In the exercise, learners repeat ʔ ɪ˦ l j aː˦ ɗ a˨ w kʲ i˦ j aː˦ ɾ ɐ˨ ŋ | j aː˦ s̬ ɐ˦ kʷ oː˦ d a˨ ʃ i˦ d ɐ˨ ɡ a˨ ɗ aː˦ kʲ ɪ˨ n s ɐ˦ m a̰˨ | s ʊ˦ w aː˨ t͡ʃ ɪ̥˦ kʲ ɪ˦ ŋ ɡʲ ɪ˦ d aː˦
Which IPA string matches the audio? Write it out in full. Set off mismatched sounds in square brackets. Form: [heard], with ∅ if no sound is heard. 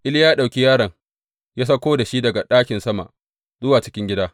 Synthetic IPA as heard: ʔ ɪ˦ l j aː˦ ɗ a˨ w kʲ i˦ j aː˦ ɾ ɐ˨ ŋ | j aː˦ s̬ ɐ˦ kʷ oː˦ d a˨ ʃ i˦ d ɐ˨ ɡ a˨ ɗ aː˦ kʲ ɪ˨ n s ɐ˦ m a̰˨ | [z] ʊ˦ w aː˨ t͡ʃ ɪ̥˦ kʲ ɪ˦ ŋ ɡʲ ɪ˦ d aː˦